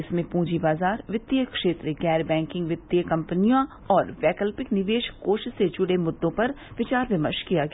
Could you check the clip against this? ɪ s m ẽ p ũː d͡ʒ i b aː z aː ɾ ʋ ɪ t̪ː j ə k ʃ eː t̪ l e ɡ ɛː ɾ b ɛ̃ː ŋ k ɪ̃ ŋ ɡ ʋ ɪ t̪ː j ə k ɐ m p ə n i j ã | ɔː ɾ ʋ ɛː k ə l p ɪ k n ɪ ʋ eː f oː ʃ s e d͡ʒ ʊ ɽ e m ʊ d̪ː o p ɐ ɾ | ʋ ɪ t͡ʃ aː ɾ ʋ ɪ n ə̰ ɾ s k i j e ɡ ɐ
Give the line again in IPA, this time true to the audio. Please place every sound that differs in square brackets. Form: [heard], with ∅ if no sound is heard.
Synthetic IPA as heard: ɪ s m ẽ p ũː d͡ʒ i b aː z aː ɾ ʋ ɪ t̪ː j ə k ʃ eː t̪ [ɾ] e ɡ ɛː ɾ b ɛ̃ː ŋ k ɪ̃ ŋ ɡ ʋ ɪ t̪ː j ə k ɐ m p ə n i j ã | ɔː ɾ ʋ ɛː k ə l p ɪ k n ɪ ʋ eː [ʃ] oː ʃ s e d͡ʒ ʊ ɽ e m ʊ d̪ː [õ] p ɐ ɾ | ʋ ɪ t͡ʃ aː ɾ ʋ ɪ [m] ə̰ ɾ [ʃ] k i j [a] ɡ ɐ

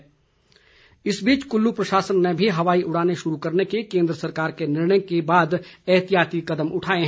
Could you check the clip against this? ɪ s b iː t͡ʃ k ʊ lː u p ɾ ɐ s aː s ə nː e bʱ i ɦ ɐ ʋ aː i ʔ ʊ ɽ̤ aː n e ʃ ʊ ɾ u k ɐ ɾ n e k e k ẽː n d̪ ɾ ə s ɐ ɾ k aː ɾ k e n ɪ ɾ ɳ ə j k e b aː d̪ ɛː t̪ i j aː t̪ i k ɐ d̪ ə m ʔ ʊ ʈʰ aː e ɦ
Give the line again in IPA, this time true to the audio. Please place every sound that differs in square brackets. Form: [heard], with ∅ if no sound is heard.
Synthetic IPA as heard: ɪ s b iː t͡ʃ k ʊ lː u p ɾ ɐ [ʃ] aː s ə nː e bʱ i ɦ ɐ ʋ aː i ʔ ʊ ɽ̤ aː n e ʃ ʊ ɾ u k ɐ ɾ n e k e k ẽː n d̪ ɾ ə s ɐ ɾ k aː ɾ k e n ɪ ɾ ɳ ə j k e b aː d̪ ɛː t̪ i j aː t̪ i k ɐ d̪ ə m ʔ ʊ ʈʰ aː e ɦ

